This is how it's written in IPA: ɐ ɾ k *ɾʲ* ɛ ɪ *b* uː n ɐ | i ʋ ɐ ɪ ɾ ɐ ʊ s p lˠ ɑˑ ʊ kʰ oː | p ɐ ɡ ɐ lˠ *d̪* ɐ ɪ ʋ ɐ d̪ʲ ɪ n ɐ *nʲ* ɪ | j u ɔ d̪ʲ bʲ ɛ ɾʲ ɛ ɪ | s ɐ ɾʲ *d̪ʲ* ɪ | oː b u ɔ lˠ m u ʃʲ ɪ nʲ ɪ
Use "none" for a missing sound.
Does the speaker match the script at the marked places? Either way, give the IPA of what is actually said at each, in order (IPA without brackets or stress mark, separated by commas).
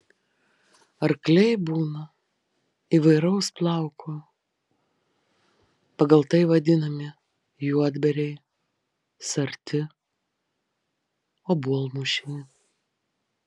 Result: lʲ, b, t̪, mʲ, t̪ʲ